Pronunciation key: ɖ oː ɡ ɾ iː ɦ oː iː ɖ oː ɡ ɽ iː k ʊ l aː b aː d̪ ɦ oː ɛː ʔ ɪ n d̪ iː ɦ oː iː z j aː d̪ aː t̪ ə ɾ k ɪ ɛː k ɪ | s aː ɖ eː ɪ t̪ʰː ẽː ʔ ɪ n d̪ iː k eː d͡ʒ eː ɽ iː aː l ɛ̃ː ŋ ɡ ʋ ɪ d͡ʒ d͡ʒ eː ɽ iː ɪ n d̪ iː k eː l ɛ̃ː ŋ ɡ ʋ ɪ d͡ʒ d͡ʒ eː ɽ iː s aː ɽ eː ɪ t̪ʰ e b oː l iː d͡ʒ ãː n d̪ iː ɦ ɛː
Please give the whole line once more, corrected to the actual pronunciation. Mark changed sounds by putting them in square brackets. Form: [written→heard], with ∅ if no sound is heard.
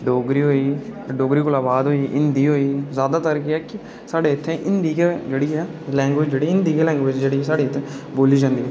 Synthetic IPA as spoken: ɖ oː ɡ ɾ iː ɦ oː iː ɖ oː ɡ [ɽ→ɾ] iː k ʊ l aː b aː d̪ ɦ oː [ɛː→iː] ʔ ɪ n d̪ iː ɦ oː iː z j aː d̪ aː t̪ ə ɾ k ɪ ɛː k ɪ | s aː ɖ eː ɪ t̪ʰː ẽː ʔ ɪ n d̪ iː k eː d͡ʒ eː ɽ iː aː l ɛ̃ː ŋ ɡ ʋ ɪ d͡ʒ d͡ʒ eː ɽ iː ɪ n d̪ iː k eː l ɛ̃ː ŋ ɡ ʋ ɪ d͡ʒ d͡ʒ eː ɽ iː s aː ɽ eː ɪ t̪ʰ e b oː l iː d͡ʒ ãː n d̪ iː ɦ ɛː